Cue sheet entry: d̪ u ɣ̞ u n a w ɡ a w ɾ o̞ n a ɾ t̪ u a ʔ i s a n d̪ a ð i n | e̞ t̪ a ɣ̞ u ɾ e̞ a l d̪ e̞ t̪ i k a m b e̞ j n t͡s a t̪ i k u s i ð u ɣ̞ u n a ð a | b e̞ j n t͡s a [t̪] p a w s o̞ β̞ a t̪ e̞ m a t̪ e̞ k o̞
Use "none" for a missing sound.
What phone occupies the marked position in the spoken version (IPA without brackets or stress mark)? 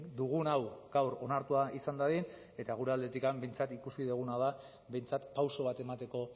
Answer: t̪